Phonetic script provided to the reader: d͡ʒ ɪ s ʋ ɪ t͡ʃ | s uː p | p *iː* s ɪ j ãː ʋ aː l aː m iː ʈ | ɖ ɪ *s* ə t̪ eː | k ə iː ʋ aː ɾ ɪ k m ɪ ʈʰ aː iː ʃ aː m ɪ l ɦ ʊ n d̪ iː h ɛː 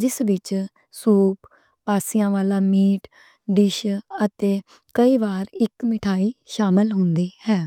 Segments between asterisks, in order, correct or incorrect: incorrect: aː, incorrect: ʃ

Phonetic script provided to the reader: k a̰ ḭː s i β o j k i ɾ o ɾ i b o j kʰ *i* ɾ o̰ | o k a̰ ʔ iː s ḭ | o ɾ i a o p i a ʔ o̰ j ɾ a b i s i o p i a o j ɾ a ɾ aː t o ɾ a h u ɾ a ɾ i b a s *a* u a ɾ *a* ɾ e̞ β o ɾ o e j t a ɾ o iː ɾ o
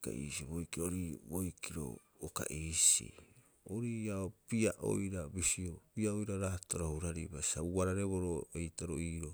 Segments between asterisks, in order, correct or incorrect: correct, correct, correct

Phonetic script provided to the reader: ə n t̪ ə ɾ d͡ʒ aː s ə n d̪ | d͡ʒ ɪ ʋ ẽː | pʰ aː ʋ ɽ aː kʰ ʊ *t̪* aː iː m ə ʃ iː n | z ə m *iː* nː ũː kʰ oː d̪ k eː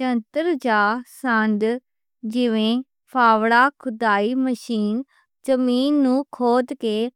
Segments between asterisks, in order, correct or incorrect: incorrect: d̪, correct

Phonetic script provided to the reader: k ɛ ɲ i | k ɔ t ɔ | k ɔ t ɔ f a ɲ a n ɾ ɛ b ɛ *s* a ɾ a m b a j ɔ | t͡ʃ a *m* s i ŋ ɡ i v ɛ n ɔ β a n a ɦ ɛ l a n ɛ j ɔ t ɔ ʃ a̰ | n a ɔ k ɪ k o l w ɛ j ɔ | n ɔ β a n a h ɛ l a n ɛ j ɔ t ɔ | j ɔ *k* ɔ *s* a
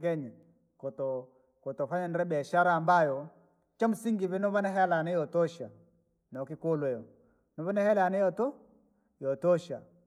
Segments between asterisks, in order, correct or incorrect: incorrect: ʃ, correct, incorrect: t, incorrect: ʃ

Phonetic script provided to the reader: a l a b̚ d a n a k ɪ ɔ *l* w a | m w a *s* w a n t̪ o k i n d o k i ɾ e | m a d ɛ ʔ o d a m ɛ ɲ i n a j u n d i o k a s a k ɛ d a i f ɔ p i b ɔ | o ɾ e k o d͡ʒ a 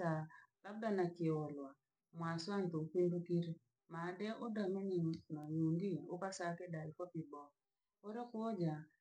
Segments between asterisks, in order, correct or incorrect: correct, correct

